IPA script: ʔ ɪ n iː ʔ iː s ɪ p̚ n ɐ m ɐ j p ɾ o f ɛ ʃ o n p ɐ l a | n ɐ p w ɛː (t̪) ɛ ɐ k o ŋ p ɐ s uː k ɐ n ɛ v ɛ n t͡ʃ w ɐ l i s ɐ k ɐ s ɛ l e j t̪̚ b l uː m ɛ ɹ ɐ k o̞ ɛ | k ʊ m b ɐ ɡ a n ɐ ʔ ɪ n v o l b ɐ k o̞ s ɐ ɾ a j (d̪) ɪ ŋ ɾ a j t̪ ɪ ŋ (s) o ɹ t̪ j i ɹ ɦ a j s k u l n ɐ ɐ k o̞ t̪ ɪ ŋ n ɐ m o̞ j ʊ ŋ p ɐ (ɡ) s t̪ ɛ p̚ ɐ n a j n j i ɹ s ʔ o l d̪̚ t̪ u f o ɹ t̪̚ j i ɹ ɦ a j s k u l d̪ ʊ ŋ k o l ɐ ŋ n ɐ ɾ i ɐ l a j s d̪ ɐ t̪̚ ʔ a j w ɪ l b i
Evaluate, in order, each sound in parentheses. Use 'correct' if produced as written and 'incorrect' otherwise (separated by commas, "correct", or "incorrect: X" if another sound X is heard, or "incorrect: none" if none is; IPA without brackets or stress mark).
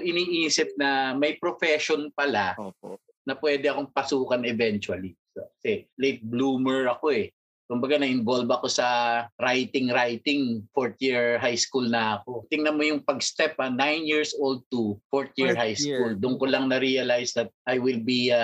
incorrect: d̪, incorrect: t̪, incorrect: f, correct